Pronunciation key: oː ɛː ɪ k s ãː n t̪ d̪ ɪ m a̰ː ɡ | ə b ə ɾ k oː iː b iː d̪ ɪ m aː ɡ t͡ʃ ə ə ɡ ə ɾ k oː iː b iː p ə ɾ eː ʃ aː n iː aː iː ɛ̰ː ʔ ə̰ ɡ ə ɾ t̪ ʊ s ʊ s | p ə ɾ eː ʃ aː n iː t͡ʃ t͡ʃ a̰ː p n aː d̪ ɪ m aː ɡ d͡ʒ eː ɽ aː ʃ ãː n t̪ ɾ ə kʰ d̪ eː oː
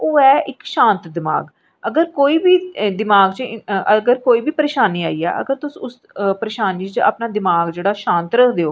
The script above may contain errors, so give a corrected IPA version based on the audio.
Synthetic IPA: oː ɛː ɪ k ʃ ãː n t̪ d̪ ɪ m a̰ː ɡ | ə ɡ ə ɾ k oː iː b iː d̪ ɪ m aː ɡ t͡ʃ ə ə ɡ ə ɾ k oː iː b iː p ə ɾ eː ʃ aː n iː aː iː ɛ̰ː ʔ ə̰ ɡ ə ɾ t̪ ʊ s ʊ s | p ə ɾ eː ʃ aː n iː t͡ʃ t͡ʃ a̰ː p n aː d̪ ɪ m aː ɡ d͡ʒ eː ɽ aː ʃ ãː n t̪ ɾ ə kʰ d̪ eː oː